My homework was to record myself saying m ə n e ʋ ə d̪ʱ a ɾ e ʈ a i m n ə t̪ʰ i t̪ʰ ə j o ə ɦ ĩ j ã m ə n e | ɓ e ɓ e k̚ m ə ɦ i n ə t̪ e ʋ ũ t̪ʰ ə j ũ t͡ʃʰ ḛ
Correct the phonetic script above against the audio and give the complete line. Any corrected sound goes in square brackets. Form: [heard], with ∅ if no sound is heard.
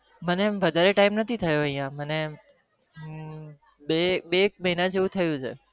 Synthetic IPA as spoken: m ə n e ʋ ə d̪ʱ a ɾ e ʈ a i m n ə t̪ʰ i t̪ʰ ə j o ə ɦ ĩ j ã m ə n e | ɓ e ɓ e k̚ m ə ɦ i n ə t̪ e ʋ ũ t̪ʰ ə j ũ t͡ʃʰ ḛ